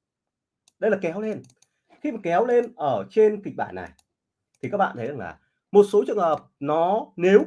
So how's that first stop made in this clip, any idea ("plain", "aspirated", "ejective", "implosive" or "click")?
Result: implosive